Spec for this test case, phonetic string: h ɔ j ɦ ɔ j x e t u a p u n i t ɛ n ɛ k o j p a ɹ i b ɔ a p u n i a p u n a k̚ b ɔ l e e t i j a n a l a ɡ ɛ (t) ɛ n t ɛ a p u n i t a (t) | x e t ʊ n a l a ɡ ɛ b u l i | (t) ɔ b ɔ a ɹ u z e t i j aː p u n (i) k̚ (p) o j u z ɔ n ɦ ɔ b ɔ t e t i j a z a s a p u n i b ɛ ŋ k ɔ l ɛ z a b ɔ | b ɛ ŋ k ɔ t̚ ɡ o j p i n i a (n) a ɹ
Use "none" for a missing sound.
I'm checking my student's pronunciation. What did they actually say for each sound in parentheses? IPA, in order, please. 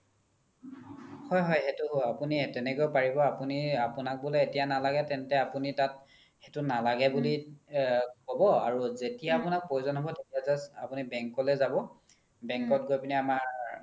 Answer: t, t, k, a, p, m

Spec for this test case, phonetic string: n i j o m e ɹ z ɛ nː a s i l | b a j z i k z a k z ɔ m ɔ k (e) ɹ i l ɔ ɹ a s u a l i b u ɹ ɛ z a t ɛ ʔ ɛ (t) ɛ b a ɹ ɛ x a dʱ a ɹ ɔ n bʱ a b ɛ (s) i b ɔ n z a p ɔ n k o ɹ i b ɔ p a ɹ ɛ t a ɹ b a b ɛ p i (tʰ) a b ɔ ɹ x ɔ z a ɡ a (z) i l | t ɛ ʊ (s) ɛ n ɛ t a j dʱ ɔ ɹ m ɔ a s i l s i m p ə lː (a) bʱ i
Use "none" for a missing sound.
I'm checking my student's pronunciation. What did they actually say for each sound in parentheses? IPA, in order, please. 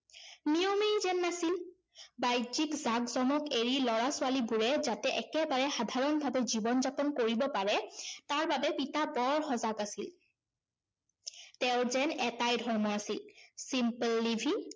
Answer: e, k, z, t, s, z, i

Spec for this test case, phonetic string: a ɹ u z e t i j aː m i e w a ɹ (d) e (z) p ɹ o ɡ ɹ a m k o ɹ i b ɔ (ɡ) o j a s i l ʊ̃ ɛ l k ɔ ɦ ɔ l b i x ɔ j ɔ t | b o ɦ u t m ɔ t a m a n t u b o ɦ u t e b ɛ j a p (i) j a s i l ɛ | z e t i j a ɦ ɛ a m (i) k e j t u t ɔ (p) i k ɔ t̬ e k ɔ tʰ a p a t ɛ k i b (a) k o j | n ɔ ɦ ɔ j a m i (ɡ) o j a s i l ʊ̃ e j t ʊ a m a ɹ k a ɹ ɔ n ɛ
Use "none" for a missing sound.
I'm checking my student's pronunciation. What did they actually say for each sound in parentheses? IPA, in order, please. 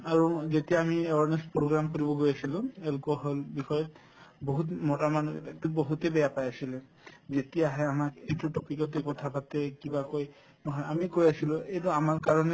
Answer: n, s, ɡ, a, a, p, a, k

